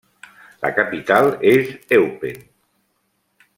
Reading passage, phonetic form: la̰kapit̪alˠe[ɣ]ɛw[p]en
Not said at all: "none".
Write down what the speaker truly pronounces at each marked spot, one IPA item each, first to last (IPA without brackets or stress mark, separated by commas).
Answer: z, p